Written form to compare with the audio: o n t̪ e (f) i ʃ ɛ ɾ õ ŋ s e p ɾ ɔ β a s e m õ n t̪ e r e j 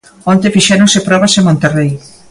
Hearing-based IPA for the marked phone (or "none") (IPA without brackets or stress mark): f